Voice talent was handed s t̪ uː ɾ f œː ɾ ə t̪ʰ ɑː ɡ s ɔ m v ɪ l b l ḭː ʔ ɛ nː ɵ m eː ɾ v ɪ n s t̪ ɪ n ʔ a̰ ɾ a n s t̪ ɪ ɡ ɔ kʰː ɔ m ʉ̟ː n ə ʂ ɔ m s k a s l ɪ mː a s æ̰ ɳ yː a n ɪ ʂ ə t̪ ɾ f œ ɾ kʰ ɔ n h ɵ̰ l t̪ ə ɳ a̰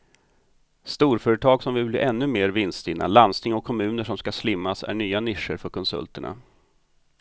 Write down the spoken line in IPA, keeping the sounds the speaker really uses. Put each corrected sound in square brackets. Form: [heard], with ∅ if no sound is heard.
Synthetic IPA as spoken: s t̪ uː ɾ f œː ɾ ə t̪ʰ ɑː ɡ s ɔ m v ɪ l b l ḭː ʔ ɛ nː ɵ m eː ɾ v ɪ n s t̪ ɪ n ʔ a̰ [l] a n s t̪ ɪ [ŋ] ɔ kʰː ɔ m ʉ̟ː n ə ʂ ɔ m s k a s l ɪ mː a s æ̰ ɳ yː a n ɪ ʂ ə [∅] ɾ f œ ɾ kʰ ɔ n [s] ɵ̰ l t̪ ə ɳ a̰